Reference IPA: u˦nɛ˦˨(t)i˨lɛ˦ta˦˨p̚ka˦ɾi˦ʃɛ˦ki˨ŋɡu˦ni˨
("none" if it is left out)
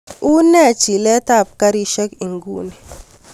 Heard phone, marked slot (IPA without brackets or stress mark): t͡ʃ